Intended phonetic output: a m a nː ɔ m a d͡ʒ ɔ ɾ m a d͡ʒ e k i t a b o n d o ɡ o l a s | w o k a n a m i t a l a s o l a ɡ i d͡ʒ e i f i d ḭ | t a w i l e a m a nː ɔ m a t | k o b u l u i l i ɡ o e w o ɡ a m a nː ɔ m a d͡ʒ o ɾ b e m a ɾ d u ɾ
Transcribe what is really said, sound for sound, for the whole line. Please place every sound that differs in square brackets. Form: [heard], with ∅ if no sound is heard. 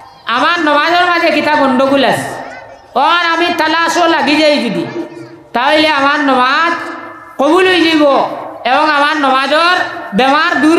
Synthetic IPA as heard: a m a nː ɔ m a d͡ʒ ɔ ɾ m a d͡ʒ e k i t a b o n d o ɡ [u] l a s | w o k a n a m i t a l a s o l a ɡ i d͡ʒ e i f i d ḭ | t a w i l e a m a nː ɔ m a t | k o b u l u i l i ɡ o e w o [ŋ] a m a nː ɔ m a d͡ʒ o ɾ b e m a ɾ d u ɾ